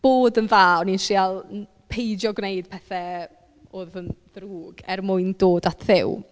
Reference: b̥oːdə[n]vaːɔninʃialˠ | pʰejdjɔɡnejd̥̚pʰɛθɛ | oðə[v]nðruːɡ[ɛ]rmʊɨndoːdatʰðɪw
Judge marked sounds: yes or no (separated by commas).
yes, no, yes